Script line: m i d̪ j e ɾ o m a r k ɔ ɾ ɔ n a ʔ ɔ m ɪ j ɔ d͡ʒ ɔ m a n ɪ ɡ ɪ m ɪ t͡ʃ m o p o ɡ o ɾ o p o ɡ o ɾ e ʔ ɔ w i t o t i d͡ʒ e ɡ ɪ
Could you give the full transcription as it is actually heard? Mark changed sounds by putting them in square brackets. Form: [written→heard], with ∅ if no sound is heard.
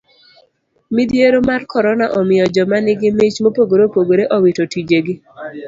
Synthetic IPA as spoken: m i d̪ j e ɾ o m a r k ɔ ɾ ɔ n a ʔ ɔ m ɪ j ɔ d͡ʒ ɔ m a n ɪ ɡ ɪ m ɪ t͡ʃ m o p o ɡ o ɾ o p o ɡ o ɾ e ʔ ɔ w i t o t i d͡ʒ e ɡ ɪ